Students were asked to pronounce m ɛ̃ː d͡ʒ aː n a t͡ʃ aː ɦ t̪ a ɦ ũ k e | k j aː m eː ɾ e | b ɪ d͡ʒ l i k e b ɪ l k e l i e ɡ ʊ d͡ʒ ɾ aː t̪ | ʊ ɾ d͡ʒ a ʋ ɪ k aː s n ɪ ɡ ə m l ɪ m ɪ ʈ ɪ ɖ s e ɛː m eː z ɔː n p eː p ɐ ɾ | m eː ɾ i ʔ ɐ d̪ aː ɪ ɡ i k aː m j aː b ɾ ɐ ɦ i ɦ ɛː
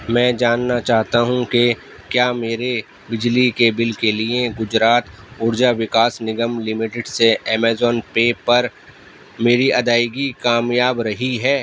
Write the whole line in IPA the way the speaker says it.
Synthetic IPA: m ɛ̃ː d͡ʒ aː nː a t͡ʃ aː ɦ t̪ a ɦ ũ k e | k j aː m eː ɾ e | b ɪ d͡ʒ l i k e b ɪ l k e l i e ɡ ʊ d͡ʒ ɾ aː t̪ | ʊ ɾ d͡ʒ a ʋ ɪ k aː s n ɪ ɡ ə m l ɪ m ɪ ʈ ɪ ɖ s e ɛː m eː z ɔː n p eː p ɐ ɾ | m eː ɾ i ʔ ɐ d̪ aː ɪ ɡ i k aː m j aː b ɾ ɐ ɦ i ɦ ɛː